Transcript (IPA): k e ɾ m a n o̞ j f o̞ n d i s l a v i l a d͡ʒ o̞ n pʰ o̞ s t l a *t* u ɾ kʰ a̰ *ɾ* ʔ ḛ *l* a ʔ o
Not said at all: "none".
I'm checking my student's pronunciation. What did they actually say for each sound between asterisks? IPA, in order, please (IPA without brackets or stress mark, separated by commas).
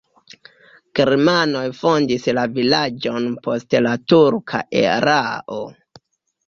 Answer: t, none, ɾ